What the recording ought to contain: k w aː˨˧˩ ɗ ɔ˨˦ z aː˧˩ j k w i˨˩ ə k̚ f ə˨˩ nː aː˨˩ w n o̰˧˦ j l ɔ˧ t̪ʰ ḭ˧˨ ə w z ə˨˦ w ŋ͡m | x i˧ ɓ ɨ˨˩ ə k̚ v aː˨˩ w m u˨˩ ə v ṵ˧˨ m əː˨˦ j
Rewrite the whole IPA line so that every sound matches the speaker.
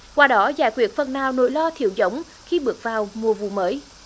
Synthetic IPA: k w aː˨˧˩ ɗ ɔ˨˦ z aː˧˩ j k w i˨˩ ə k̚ f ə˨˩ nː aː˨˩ w n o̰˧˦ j l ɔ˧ t̪ʰ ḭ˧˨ ə w z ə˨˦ w ŋ͡m | x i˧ ɓ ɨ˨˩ ə k̚ v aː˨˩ w m u˨˩ ə v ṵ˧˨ m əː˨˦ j